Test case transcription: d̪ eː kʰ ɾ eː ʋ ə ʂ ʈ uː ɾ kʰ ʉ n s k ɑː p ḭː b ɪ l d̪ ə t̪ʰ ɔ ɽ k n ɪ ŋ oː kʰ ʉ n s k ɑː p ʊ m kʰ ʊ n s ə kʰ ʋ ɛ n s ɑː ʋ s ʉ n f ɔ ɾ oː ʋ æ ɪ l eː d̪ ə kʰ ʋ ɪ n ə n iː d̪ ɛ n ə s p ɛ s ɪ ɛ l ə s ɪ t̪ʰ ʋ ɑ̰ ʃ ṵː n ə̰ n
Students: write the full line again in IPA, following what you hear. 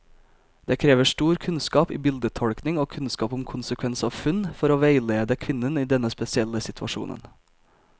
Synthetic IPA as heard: d̪ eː kʰ ɾ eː ʋ ə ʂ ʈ uː ɾ kʰ ʉ n s k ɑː p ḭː b ɪ l d̪ ə t̪ʰ ɔ ɽ k n ɪ ŋ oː kʰ ʉ n s k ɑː p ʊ m kʰ ʊ n s ə kʰ ʋ ɛ n s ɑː ʋ f ʉ n f ɔ ɾ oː ʋ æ ɪ l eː d̪ ə kʰ ʋ ɪ n ə n iː d̪ ɛ n ə s p ɛ s ɪ ɛ l ə s ɪ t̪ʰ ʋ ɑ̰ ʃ ṵː n ə̰ n

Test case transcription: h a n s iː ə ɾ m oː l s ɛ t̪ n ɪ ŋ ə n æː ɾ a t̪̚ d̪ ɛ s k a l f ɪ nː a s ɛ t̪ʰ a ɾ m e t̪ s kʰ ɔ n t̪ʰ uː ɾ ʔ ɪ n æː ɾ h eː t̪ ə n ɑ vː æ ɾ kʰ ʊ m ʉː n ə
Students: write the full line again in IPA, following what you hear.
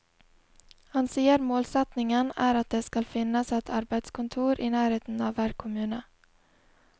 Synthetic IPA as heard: h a n s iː ə ɾ m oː l s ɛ t̪ n ɪ ŋ ə n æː ɾ a t̪̚ d̪ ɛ s k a l f ɪ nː a s ɛ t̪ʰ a ɾ b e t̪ s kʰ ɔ n t̪ʰ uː ɾ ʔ ɪ n æː ɾ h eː t̪ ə n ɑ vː æ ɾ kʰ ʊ m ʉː n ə

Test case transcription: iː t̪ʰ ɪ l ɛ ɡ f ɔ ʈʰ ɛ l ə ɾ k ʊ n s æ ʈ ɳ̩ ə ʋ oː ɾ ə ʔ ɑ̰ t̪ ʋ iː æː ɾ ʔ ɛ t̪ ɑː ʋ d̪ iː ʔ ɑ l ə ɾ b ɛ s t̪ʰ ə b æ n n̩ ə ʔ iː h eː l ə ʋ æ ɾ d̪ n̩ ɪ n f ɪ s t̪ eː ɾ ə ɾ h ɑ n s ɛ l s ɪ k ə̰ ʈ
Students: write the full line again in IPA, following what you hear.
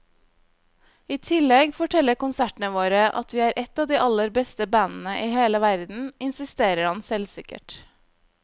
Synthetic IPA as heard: iː t̪ʰ ɪ l ɛ ɡ f ɔ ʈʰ ɛ l ə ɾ k ʊ n s æ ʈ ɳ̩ ə ʋ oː ɾ ə ʔ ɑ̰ t̪ ʋ iː æː ɾ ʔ ɛ t̪ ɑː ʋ d̪ iː ʔ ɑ l ə ɾ b ɛ s t̪ ə b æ n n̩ ə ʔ iː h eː l ə ʋ æ ɾ d̪ n̩ ɪ n s ɪ s t̪ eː ɾ ə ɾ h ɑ n s ɛ l s ɪ k ə̰ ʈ

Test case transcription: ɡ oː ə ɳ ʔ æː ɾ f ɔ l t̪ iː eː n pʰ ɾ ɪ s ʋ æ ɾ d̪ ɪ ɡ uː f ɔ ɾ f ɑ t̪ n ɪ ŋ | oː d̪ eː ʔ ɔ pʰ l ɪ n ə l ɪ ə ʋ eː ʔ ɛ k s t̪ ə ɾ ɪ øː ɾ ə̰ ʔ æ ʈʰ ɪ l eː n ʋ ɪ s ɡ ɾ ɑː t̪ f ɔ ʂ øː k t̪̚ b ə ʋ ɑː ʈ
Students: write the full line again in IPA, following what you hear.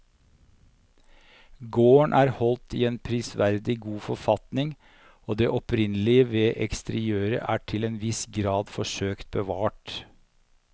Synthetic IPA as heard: ɡ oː ə ɳ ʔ æː ɾ h ɔ l t̪ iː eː n pʰ ɾ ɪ s ʋ æ ɾ d̪ ɪ ɡ uː f ɔ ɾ f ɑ t̪ n ɪ ŋ | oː d̪ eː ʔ ɔ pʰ ɾ ɪ n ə l ɪ ə ʋ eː ʔ ɛ k s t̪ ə ɾ ɪ øː ɾ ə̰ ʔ æː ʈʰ ɪ l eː n ʋ ɪ s ɡ ɾ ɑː d̪ f ɔ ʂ øː k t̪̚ b ə ʋ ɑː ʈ

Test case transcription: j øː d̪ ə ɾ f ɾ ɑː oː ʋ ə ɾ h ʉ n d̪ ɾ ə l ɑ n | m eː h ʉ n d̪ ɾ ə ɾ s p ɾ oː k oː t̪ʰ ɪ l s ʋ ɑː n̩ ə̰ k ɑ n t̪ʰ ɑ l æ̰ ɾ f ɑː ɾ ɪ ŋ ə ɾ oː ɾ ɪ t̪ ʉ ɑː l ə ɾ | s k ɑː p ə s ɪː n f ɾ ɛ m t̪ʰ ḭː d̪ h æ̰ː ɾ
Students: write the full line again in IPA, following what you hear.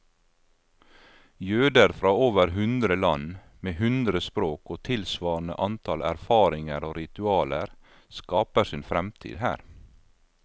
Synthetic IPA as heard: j øː d̪ ə ɾ f ɾ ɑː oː ʋ ə ɾ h ʉ n d̪ ɾ ə l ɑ n | m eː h ʉ n d̪ ɾ ə s p ɾ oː k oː t̪ʰ ɪ l s ʋ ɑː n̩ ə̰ ʔ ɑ n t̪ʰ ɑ l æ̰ ɾ f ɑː ɾ ɪ ŋ ə ɾ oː ɾ ɪ t̪ ʉ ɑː l ə ɾ | s k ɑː p ə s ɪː n f ɾ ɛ m t̪ʰ ḭː d̪ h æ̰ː ɾ

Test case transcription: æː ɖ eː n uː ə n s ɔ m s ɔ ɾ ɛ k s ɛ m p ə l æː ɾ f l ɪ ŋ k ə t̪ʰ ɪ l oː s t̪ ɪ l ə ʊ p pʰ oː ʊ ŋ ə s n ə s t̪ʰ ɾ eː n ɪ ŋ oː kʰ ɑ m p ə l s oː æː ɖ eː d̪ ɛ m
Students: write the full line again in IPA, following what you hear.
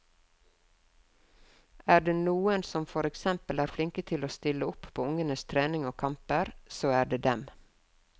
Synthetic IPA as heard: æː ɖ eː n uː ə n s ɔ m f ɔ ɾ ɛ k s ɛ m p ə l æː ɾ f l ɪ ŋ k ə t̪ʰ ɪ l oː s t̪ ɪ l ə ʊ p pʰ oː ʊ ŋ ə n ə s t̪ʰ ɾ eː n ɪ ŋ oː kʰ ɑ m p ə ɾ s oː æː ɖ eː d̪ ɛ m

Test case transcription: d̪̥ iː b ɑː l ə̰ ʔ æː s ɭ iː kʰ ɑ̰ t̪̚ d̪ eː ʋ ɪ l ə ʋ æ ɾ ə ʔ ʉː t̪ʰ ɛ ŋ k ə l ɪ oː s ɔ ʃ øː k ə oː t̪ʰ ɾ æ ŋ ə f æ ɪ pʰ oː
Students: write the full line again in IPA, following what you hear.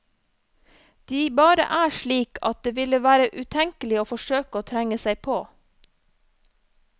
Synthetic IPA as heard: d̪̥ iː b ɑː ɾ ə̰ ʔ æː ʃ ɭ iː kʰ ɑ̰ t̪̚ d̪ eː ʋ ɪ l ə ʋ æː ɾ ə ʔ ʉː t̪ʰ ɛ ŋ k ə l ɪ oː f ɔ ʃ øː k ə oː t̪ʰ ɾ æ ŋ ə s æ ɪ pʰ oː

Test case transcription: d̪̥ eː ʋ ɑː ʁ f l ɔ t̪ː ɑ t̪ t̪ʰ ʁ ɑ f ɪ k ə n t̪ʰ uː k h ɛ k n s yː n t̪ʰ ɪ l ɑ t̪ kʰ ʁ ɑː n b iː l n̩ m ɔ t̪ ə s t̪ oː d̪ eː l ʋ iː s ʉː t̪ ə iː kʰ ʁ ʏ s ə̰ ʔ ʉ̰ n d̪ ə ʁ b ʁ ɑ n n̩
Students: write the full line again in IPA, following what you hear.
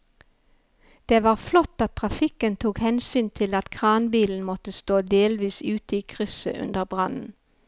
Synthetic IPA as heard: d̪̥ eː ʋ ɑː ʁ f l ɔ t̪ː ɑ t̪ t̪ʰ ʁ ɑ f ɪ k ə n t̪ʰ uː k h ɛ n s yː n t̪ʰ ɪ l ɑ t̪ kʰ ʁ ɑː n b iː l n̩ m ɔ t̪ ə s t̪ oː d̪ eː l ʋ iː s ʉː t̪ ə iː kʰ ʁ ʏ s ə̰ ʔ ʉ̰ n d̪ ə ʁ b ʁ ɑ n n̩

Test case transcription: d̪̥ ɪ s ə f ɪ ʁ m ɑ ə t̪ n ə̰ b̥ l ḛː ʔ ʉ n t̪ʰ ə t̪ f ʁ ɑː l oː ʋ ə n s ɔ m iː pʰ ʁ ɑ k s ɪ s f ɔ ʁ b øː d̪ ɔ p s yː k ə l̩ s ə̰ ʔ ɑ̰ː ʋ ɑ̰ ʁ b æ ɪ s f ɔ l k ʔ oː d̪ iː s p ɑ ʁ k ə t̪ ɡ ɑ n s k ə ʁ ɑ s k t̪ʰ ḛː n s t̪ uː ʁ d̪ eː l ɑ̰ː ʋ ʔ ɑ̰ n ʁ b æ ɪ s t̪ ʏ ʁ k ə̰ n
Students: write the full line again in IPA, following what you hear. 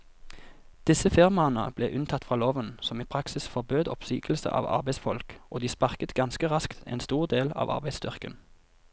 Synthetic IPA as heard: d̪̥ ɪ s ə f ɪ ʁ m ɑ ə n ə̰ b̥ l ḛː ʔ ʉ n t̪ʰ ɑ t̪ f ʁ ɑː l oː ʋ ə n s ɔ m iː pʰ ʁ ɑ k s ɪ s f ɔ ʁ b øː d̪ ɔ p s yː k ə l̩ s ə̰ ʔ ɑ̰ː ʋ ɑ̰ ʁ b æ ɪ s f ɔ l k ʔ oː d̪ iː s p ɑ ʁ k ə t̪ ɡ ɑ n s k ə ʁ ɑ s k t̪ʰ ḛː n s t̪ uː ʁ d̪ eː l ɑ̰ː ʋ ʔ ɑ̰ ʁ b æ ɪ s t̪ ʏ ʁ k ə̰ n

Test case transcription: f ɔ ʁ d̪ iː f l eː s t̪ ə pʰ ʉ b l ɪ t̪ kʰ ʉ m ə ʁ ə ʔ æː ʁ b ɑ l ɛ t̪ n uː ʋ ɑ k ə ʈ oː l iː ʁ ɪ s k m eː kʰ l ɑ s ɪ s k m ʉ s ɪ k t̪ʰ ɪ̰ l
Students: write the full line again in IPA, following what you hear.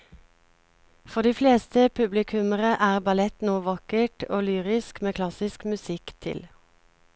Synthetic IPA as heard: f ɔ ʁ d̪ iː f l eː s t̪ ə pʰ ʉ b l ɪ kʰ ʉ m ə ʁ ə ʔ æː ʁ b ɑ l ɛ t̪ n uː ʋ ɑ k ə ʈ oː l yː ʁ ɪ s k m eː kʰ l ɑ s ɪ s k m ʉ s ɪ k t̪ʰ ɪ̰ l

